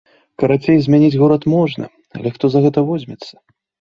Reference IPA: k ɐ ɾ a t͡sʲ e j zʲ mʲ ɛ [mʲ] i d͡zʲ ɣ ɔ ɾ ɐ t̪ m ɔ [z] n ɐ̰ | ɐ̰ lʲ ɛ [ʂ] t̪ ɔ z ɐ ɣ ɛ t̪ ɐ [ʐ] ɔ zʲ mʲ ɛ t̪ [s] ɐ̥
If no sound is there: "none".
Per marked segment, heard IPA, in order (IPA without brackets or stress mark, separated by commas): nʲ, ʐ, x, v, sː